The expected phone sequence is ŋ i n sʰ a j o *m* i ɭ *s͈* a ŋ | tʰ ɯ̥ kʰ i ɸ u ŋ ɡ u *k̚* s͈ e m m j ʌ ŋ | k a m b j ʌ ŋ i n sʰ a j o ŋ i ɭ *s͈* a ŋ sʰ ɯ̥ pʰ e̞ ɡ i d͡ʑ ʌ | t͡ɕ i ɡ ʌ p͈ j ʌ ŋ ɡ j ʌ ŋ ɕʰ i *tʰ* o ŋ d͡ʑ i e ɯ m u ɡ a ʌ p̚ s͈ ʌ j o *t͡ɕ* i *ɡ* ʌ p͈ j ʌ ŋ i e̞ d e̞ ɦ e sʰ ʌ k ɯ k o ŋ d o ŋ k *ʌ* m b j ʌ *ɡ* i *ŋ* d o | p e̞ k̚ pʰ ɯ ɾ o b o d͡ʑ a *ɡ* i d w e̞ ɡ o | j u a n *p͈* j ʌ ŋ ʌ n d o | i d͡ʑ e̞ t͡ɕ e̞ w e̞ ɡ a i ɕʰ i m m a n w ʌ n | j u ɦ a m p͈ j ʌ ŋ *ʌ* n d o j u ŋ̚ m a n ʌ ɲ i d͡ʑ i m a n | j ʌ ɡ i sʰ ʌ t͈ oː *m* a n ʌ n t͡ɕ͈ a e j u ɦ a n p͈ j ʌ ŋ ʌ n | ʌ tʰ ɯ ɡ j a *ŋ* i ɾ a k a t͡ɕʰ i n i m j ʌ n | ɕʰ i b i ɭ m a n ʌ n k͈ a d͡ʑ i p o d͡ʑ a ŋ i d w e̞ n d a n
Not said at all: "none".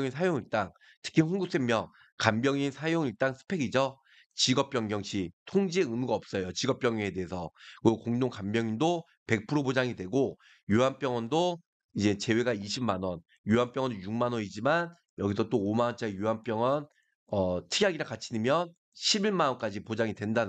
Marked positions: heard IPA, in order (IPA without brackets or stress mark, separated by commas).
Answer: ŋ, t͈, k̚, t͈, tʰ, t͡ɕ, ɡ, a, ŋ, n, ŋ, p͈, ʌ, m, ɡ